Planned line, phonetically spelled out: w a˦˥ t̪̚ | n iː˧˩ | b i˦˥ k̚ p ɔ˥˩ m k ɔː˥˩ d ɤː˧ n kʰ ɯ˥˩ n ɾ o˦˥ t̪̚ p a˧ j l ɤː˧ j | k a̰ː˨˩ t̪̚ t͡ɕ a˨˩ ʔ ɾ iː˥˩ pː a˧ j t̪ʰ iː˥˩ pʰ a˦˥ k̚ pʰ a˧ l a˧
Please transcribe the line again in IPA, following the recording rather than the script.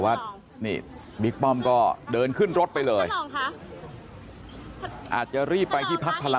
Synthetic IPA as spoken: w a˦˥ t̪̚ | n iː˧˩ | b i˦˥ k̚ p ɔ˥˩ m k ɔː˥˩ d ɤː˧ n kʰ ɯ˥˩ n ɾ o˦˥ t̪̚ p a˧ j l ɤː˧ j | ʔ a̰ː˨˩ t̪̚ t͡ɕ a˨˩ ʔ ɾ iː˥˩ pː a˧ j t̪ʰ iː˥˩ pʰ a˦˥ k̚ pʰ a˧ l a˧